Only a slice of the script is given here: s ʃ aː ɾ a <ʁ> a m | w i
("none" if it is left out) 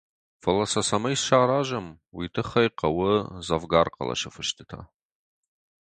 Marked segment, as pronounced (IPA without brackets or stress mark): ʒ